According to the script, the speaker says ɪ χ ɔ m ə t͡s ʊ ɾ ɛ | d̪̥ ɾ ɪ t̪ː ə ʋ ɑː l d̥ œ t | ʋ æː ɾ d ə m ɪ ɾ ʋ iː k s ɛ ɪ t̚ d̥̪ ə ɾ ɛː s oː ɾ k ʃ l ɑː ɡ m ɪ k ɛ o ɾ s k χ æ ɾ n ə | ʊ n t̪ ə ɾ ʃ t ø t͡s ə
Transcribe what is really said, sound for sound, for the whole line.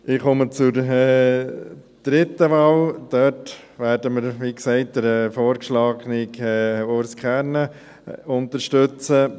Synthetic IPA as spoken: ɪ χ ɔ m ə t͡s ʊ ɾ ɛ | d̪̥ ɾ ɪ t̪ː ə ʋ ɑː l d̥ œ t | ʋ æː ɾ d ə m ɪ ɾ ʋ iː k s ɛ ɪ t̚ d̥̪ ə ɾ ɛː f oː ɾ k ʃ l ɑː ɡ n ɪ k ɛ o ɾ s k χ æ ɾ n ə | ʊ n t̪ ə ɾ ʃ t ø t͡s ə